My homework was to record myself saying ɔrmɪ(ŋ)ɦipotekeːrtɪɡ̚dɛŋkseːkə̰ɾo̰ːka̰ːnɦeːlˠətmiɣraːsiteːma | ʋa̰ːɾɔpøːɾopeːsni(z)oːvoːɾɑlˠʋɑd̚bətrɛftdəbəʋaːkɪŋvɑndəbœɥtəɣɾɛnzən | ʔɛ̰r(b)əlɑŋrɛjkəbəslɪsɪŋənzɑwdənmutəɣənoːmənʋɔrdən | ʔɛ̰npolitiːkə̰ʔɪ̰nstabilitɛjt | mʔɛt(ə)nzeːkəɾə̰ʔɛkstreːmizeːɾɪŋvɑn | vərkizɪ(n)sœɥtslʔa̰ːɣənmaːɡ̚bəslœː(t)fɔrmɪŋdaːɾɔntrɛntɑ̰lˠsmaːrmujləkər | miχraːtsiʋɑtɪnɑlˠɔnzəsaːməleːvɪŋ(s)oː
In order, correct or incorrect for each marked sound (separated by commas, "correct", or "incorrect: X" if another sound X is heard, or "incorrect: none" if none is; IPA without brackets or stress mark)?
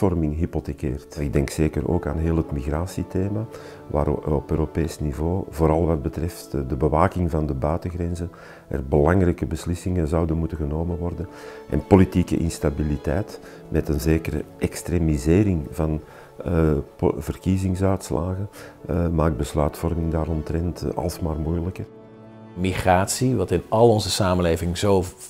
correct, incorrect: v, correct, correct, incorrect: ŋ, correct, incorrect: z